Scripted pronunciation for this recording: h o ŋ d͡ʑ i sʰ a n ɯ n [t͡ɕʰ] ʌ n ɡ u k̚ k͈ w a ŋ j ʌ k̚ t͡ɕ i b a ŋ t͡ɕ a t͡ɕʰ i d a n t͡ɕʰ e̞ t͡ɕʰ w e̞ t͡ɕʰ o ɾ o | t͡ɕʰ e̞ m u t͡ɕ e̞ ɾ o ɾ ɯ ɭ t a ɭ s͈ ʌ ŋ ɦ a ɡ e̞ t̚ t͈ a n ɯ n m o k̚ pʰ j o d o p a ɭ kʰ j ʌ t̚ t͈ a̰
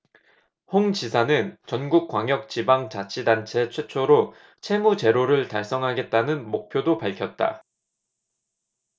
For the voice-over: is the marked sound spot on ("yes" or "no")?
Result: no